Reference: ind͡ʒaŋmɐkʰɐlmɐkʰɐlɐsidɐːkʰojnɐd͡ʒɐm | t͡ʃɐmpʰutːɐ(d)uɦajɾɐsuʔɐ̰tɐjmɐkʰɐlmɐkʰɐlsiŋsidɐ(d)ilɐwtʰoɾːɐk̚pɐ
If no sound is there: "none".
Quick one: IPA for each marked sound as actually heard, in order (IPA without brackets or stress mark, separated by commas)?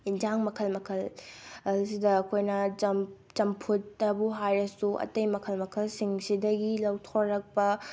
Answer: b, ɡ